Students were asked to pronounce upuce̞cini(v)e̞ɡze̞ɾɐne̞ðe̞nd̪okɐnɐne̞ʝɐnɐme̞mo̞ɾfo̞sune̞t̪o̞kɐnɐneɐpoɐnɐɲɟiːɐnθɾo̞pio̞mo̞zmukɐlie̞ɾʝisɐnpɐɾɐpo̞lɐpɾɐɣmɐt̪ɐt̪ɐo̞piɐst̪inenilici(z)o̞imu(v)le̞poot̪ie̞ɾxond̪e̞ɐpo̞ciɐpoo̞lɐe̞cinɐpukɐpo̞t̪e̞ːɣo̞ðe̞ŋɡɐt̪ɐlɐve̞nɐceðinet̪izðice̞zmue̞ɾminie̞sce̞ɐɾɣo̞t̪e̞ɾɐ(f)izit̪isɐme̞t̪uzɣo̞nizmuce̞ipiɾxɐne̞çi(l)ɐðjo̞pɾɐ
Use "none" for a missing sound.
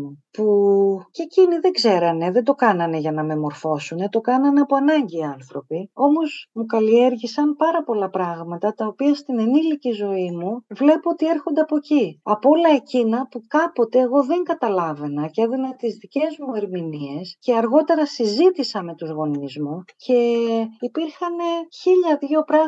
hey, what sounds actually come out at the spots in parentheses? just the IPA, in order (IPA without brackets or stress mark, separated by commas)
ð, z, v, s, ʎ